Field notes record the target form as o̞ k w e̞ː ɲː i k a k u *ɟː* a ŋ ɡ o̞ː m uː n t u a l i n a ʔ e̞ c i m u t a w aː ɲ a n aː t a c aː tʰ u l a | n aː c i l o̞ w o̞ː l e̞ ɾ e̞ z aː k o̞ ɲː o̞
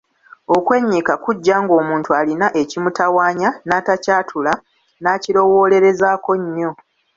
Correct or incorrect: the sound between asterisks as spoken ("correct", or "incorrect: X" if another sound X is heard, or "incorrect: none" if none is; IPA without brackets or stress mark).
correct